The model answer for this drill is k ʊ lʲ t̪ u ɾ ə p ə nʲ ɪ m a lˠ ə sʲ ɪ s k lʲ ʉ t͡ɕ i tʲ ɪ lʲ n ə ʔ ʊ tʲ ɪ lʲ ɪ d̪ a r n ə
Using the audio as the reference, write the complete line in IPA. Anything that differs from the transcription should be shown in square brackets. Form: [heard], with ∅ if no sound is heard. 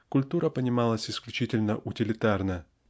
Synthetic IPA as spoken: k ʊ lʲ t̪ u ɾ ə p ə nʲ ɪ m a lˠ ə sʲ ɪ s k lʲ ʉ t͡ɕ i tʲ ɪ lʲ n ə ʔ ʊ tʲ ɪ lʲ ɪ [t̪] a r n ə